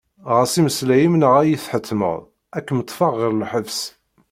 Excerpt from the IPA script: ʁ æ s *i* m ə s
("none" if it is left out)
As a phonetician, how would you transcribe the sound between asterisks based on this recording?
i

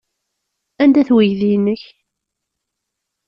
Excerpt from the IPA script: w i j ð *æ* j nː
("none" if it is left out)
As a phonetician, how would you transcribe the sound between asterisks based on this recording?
i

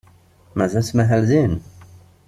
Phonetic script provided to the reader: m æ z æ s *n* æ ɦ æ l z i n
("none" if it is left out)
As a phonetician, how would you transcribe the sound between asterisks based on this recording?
m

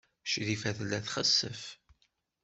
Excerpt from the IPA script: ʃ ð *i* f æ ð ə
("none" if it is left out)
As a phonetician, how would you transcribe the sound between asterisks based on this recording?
i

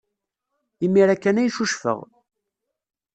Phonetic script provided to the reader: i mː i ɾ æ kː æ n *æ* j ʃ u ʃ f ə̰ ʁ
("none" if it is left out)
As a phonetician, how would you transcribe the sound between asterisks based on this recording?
æ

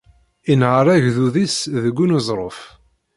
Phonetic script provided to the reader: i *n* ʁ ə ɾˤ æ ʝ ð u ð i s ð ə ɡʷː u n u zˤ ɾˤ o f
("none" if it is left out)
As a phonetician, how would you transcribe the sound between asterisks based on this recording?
n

